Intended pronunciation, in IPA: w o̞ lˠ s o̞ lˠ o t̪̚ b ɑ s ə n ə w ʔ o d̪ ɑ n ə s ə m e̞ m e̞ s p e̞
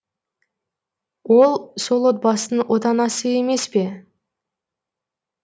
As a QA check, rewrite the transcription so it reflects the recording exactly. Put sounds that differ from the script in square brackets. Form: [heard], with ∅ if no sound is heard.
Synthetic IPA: w o̞ lˠ s o̞ lˠ o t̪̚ b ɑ s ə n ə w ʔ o [t̪] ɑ n [ɑ] s ə [∅] e̞ m e̞ s p e̞